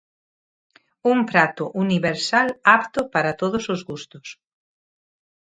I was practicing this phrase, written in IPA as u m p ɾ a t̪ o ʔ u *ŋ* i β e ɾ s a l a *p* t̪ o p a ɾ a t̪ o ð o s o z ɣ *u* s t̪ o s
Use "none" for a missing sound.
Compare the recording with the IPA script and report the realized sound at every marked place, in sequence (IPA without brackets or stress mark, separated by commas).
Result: n, p, u